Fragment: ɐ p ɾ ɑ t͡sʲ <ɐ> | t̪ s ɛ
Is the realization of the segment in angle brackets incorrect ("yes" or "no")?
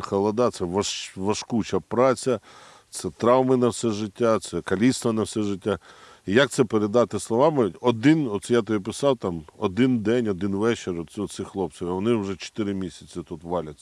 no